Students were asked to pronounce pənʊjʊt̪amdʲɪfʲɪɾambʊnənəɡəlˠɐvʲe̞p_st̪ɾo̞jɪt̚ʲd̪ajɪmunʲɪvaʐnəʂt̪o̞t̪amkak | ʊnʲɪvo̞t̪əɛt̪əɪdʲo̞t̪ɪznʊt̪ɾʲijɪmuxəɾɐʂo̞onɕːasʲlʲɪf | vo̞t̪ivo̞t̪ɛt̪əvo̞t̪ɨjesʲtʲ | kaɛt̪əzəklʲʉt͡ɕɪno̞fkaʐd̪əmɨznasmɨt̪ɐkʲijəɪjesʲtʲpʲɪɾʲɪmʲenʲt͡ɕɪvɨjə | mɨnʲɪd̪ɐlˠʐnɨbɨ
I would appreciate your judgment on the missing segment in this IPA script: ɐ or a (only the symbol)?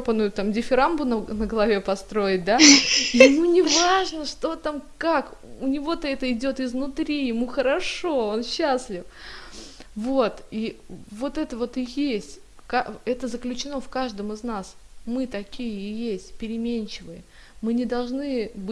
ɐ